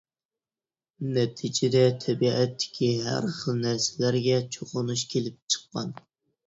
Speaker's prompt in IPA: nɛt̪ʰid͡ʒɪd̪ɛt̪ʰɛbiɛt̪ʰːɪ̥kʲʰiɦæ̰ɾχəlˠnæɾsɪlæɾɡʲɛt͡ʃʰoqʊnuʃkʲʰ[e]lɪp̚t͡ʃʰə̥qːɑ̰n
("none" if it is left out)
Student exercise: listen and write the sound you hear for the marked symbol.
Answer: e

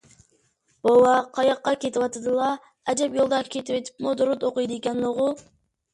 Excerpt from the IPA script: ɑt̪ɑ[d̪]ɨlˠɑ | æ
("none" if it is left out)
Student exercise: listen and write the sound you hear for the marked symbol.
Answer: d̪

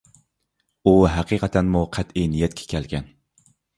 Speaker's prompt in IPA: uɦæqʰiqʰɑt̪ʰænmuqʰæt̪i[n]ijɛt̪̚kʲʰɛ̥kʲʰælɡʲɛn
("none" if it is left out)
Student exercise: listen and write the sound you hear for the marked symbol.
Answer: n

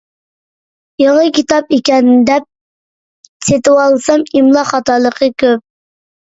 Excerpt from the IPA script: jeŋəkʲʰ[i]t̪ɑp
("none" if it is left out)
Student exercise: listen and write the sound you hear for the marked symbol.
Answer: i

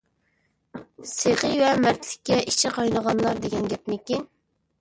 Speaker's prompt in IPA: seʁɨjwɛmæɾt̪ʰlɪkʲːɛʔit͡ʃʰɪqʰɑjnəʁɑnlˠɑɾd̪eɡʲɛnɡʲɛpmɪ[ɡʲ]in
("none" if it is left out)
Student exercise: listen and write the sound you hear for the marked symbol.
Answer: kʲ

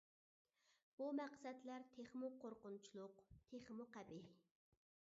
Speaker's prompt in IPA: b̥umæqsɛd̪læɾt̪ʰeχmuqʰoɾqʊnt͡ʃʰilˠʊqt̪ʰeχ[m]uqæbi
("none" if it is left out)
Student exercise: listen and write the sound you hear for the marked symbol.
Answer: m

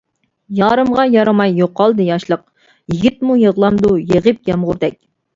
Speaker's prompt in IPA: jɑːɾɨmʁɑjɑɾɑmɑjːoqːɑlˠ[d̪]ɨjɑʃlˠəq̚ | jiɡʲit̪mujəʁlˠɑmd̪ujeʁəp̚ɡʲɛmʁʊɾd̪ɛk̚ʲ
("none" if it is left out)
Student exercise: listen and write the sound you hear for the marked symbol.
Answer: d̪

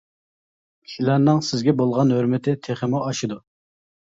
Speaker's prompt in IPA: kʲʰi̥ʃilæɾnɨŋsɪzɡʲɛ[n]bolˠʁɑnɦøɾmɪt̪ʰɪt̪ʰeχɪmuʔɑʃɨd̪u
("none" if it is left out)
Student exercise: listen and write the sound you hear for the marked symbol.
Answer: none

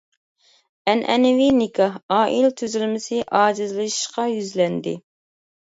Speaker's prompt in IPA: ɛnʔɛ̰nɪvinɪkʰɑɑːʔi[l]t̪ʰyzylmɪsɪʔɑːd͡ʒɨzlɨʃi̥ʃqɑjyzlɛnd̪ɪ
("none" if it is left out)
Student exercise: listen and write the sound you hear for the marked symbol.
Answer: l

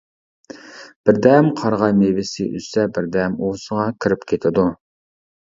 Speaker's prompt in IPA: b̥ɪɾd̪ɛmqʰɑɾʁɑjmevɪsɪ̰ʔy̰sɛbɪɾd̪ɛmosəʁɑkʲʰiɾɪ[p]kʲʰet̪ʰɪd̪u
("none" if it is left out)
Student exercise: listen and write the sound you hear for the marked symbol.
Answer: p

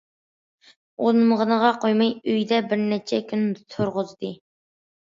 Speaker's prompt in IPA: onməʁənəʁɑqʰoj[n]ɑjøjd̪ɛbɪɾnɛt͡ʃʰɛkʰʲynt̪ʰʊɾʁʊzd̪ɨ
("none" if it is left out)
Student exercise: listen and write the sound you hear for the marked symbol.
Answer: m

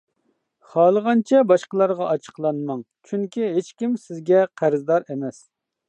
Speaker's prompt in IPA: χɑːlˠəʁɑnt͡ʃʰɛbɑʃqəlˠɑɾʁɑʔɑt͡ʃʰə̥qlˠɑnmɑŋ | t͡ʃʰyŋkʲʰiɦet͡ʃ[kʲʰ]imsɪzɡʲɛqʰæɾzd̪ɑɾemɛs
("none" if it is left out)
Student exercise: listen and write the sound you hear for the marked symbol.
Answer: kʲ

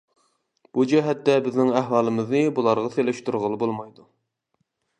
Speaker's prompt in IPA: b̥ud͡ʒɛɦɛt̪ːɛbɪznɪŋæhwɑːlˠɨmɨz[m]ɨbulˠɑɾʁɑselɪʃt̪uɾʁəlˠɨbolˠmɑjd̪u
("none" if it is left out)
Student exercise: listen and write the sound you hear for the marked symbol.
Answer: n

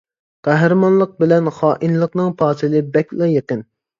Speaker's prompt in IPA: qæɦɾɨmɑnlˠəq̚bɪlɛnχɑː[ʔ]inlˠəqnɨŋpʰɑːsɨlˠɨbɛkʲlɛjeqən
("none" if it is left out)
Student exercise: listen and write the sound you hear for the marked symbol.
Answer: ʔ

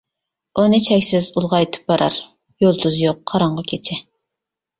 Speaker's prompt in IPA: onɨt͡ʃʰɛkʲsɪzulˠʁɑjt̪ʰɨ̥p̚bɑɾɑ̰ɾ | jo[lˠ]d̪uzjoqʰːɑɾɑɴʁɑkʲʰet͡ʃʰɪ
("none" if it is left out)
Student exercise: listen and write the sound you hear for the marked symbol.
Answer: lˠ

